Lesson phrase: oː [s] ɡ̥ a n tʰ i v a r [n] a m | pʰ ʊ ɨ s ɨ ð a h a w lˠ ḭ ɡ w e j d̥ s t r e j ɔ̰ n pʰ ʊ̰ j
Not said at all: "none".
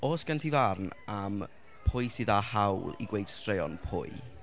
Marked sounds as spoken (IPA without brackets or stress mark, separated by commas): s, n